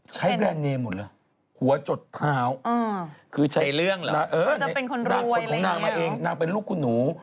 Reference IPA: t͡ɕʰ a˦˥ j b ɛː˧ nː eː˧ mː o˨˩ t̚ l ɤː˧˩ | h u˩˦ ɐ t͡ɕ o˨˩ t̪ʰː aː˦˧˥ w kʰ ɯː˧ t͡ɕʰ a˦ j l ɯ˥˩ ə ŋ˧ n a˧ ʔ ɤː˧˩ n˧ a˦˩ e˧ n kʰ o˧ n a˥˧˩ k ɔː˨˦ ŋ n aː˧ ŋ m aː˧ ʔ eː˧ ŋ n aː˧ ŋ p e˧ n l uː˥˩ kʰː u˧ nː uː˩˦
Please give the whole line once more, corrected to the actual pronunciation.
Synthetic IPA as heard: t͡ɕʰ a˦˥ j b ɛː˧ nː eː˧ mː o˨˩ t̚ l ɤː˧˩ | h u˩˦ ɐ t͡ɕ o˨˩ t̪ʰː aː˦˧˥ w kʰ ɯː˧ t͡ɕʰ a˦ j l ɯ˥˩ ə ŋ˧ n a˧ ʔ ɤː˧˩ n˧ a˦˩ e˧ n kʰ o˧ n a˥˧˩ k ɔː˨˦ ŋ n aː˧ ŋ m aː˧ ʔ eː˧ ŋ n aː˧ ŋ p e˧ n l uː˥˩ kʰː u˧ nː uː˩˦